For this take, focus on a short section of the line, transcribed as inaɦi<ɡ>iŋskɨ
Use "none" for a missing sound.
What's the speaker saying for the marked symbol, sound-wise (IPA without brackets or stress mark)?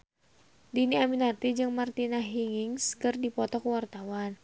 ŋ